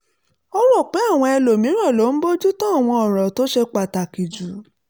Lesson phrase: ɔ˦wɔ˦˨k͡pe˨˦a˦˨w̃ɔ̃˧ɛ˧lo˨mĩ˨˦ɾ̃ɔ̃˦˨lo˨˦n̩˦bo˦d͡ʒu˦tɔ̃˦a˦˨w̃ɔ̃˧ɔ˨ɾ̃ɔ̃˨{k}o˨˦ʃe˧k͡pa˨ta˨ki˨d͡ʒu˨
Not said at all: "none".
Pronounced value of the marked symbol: t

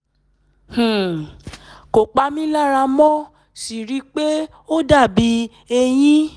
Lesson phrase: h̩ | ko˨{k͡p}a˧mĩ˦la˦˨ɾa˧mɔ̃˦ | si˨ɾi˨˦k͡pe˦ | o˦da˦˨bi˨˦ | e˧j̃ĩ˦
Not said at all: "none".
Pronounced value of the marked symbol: k͡p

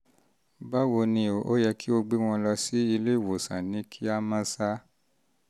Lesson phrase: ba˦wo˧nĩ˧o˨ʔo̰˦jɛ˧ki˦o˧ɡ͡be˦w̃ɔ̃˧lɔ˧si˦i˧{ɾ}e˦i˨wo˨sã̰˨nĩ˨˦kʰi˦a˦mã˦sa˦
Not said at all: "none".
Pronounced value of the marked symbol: l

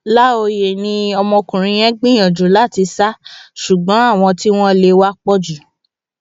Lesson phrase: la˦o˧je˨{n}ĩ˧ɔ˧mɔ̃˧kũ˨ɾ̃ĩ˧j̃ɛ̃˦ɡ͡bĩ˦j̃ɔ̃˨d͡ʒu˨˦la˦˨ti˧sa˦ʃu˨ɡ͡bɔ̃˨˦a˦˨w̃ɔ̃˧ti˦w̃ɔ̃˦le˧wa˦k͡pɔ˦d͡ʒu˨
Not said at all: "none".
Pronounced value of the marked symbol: n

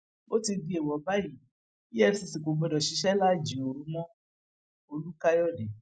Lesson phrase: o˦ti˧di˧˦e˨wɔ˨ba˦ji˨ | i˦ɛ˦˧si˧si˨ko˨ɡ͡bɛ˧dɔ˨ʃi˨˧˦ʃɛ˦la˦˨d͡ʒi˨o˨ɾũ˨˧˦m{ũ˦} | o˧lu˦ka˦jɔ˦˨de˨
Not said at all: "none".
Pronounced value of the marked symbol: ɔ̃˦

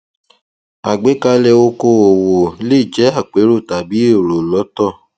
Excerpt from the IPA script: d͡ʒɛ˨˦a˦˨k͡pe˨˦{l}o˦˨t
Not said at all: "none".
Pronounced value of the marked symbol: ɾ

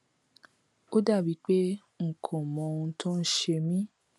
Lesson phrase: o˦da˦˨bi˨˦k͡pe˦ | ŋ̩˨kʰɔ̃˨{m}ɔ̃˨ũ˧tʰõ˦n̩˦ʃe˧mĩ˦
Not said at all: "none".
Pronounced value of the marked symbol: m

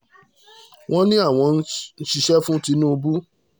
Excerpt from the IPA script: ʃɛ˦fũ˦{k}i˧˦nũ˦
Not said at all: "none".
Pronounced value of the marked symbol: t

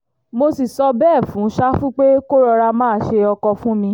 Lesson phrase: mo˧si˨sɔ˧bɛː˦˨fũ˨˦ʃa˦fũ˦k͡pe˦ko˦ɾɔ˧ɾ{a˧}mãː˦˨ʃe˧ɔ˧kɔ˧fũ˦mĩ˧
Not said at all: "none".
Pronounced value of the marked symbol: a˧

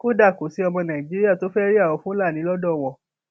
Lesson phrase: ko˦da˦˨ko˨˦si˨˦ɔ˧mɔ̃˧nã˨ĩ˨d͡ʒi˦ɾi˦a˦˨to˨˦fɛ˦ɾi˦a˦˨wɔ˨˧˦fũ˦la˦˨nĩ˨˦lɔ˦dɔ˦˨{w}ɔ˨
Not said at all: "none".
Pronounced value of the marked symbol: w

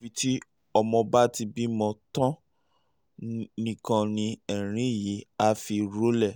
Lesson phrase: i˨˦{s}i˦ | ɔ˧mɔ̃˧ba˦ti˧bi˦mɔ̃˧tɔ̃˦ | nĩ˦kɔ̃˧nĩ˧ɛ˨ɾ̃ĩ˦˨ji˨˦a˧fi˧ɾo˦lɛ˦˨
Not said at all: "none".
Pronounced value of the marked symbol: t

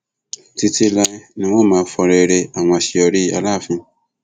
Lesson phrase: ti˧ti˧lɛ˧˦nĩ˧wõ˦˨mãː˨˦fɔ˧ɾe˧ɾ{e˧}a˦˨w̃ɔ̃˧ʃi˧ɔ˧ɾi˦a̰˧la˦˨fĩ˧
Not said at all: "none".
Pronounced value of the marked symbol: e˧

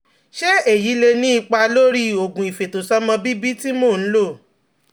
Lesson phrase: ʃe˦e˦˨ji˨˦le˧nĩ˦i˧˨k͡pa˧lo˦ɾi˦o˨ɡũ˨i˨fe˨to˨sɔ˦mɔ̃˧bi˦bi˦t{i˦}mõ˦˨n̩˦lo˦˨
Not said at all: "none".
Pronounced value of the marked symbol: i˦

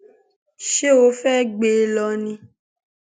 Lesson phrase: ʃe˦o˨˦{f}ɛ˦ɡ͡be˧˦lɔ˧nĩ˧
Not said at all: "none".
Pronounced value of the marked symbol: f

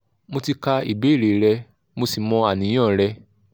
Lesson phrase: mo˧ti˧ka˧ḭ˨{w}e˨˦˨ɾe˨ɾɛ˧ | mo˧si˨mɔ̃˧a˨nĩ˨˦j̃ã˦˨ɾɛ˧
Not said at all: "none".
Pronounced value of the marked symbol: b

